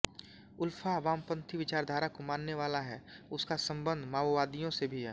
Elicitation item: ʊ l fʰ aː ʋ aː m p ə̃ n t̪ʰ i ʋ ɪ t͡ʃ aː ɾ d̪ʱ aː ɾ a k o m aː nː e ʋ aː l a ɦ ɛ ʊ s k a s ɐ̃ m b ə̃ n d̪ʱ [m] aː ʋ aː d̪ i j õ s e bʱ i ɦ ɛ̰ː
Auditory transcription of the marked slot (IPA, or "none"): m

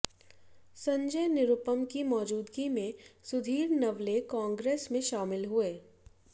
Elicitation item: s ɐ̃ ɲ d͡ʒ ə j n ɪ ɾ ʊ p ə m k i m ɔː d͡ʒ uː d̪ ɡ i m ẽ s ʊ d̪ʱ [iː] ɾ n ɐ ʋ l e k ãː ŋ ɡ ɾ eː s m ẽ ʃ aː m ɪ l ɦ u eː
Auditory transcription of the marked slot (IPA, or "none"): iː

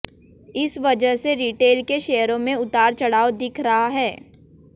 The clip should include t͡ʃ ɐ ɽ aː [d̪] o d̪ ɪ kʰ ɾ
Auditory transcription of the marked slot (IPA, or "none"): none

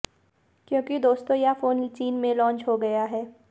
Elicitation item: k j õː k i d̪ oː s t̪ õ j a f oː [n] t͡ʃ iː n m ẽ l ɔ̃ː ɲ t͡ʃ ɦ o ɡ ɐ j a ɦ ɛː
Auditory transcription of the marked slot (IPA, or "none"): n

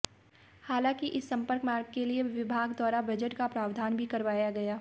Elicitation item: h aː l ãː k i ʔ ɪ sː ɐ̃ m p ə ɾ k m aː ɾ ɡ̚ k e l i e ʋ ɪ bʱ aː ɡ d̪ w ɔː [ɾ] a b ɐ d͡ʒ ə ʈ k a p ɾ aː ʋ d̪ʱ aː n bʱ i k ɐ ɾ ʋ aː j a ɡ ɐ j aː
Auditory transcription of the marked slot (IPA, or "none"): ɾ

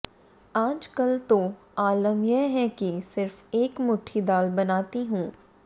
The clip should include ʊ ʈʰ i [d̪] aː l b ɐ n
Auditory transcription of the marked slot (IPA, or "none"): d̪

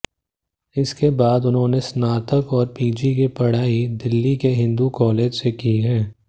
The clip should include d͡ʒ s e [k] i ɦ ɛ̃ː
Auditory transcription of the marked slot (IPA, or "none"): k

